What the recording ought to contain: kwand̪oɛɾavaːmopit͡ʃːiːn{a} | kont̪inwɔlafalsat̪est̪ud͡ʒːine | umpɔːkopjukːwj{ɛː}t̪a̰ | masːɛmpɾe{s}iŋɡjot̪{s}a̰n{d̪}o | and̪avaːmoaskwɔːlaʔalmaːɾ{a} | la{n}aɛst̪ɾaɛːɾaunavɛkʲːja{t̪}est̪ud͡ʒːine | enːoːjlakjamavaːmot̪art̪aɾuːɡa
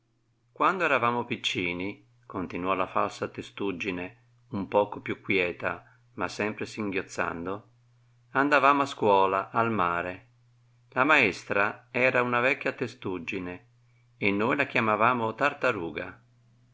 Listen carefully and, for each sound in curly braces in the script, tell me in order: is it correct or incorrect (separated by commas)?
incorrect, correct, correct, incorrect, correct, incorrect, incorrect, correct